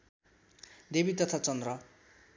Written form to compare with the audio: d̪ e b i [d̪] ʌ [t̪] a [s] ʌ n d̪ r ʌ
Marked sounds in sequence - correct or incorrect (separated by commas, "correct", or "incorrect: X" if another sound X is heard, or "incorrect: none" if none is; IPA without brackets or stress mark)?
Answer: incorrect: t̪, incorrect: t̪ʰ, incorrect: t͡s